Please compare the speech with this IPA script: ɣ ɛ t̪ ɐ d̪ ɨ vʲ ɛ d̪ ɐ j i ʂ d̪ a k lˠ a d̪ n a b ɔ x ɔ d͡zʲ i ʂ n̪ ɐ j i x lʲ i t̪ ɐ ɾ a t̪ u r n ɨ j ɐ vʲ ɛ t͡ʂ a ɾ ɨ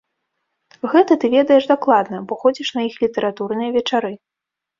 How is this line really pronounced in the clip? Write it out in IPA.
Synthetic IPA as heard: ɣ ɛ t̪ ɐ t̪ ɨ vʲ ɛ d̪ ɐ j ɛ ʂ d̪ a k lˠ a d̪ n ɐ b ɔ x ɔ d͡zʲ i ʂ n̪ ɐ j i x lʲ i t̪ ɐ ɾ a t̪ u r n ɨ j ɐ vʲ ɛ t͡ʂ a ɾ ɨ